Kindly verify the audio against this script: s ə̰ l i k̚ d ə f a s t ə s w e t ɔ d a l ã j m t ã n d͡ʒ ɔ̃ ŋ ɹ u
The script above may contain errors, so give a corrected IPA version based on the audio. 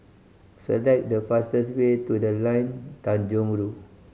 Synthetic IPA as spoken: s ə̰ l ɛ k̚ d ə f a s t ə s w e t u d ə l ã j n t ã n d͡ʒ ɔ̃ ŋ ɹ u